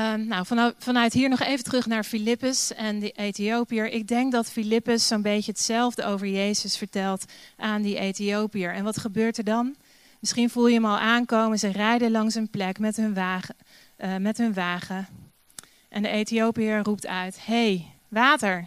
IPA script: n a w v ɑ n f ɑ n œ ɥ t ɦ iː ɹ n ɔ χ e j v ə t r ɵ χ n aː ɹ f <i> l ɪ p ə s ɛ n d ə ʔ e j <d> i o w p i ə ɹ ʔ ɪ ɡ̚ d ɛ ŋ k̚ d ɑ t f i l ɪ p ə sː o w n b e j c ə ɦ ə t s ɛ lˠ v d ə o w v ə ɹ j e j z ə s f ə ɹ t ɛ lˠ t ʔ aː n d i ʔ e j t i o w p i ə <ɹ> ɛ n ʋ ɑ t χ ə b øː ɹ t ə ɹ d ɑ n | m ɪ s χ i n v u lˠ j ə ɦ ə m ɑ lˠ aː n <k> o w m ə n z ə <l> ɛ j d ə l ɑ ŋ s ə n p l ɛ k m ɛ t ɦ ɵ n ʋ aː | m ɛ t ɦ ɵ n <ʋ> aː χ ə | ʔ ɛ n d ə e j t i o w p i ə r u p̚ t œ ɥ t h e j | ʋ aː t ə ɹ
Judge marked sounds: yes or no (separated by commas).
yes, no, yes, yes, no, yes